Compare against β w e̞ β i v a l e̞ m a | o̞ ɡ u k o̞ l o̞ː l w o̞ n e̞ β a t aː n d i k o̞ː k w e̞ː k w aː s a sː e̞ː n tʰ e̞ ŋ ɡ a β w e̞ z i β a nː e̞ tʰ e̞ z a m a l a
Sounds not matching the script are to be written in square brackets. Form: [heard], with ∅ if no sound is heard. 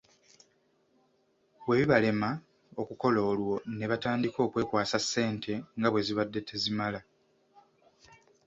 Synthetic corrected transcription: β w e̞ β i [β] a l e̞ m a | o̞ [k] u k o̞ l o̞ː l w o̞ n e̞ β a t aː n d i k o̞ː k w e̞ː k w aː s a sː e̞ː n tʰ e̞ ŋ ɡ a β w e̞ z i β a [dː] e̞ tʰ e̞ z [i] m a l a